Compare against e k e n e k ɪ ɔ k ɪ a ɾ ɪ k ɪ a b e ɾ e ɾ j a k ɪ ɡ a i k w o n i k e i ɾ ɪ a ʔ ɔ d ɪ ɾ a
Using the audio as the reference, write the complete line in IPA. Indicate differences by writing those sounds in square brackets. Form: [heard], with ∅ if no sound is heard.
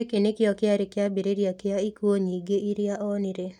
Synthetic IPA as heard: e k e n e k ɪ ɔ k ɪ a ɾ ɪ k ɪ a b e ɾ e ɾ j a k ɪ [∅] a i k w o [ɲ] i [ɡ] e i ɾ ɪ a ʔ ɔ [n] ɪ ɾ [e]